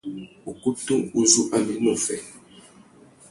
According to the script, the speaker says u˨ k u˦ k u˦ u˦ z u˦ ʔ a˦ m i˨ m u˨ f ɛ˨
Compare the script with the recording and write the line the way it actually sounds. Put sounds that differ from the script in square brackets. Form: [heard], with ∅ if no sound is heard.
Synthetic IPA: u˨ k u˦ [t] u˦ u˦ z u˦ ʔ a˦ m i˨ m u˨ f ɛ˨